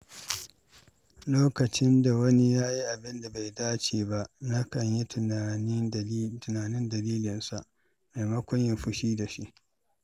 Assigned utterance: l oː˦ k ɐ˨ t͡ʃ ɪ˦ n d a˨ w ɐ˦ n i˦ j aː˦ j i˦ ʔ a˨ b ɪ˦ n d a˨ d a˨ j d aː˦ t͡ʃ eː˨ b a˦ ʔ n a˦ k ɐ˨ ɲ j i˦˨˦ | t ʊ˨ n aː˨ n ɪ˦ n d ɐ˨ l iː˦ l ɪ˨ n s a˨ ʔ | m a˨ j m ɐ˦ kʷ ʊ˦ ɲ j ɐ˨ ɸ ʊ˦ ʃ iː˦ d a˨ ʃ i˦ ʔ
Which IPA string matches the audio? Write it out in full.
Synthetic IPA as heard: l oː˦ k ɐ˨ t͡ʃ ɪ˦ n d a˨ w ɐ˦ n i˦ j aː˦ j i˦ ʔ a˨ b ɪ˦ n d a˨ b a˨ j d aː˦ t͡ʃ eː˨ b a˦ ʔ n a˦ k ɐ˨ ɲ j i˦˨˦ | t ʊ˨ n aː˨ n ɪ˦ n d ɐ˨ l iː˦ l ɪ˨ n s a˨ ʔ | m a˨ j m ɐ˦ kʷ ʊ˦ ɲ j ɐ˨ ɸ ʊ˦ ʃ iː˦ d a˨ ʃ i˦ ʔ